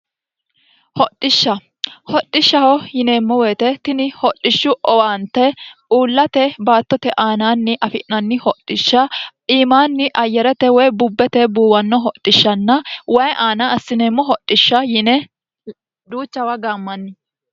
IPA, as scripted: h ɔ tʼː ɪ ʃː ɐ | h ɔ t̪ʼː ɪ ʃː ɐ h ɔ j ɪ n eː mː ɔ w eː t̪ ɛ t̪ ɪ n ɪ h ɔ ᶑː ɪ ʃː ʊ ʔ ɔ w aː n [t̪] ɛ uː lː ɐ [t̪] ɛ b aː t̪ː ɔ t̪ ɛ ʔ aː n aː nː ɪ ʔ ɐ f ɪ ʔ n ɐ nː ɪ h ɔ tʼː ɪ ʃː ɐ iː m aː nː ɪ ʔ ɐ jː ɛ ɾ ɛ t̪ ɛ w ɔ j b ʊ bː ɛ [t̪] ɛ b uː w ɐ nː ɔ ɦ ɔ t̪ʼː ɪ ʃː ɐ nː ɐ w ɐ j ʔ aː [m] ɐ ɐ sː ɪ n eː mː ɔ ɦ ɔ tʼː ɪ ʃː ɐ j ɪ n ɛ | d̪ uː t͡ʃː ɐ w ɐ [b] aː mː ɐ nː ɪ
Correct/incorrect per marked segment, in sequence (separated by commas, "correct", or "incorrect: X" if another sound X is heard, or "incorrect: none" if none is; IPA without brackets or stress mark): correct, correct, correct, incorrect: n, incorrect: ɡ